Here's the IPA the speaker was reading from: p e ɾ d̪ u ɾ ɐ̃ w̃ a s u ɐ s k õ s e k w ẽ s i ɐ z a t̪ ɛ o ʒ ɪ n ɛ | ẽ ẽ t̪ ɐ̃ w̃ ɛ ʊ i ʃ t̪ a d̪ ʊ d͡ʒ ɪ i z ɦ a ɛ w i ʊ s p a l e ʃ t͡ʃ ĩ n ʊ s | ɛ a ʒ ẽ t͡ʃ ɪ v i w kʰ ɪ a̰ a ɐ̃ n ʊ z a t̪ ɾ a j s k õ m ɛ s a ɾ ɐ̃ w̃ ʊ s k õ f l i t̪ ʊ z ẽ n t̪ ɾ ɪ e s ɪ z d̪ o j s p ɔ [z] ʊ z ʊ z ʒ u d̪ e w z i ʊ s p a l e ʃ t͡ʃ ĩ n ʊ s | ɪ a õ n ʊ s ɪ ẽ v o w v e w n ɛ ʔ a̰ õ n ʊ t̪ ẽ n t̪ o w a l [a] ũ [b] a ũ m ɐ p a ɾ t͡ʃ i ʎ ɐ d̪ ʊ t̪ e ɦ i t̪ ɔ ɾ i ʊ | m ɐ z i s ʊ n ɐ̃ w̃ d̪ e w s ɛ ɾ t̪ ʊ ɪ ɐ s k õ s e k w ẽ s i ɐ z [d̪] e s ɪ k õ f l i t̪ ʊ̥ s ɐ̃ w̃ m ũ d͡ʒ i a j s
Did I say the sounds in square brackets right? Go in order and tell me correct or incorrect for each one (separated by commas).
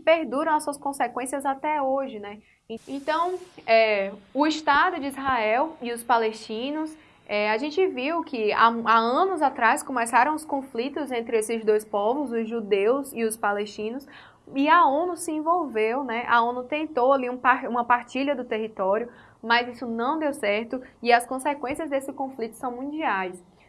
incorrect, incorrect, incorrect, correct